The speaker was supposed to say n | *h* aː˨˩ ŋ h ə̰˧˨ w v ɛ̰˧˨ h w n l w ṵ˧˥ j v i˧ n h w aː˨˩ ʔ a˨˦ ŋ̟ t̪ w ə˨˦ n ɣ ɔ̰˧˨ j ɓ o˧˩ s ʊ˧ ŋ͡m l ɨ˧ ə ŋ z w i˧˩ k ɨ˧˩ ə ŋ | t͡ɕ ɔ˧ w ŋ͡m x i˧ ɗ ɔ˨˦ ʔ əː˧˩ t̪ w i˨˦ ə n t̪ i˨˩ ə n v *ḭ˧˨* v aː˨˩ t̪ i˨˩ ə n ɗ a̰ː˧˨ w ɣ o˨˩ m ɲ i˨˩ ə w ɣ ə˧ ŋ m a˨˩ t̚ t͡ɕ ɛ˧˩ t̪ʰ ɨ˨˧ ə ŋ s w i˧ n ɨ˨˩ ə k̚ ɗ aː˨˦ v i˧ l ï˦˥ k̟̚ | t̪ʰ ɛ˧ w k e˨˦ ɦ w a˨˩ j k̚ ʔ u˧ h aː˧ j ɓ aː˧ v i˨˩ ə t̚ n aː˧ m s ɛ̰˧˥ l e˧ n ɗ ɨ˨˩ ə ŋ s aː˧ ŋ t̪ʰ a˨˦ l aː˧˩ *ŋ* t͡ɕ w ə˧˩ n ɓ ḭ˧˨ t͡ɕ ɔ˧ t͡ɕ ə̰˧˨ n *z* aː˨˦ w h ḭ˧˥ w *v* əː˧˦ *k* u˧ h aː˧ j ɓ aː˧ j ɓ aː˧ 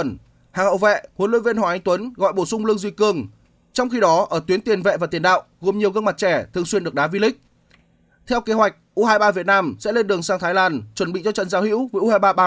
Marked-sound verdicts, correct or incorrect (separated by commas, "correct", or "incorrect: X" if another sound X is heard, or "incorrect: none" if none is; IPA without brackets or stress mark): correct, incorrect: ɛ̰˧˨, incorrect: n, correct, correct, incorrect: ʔ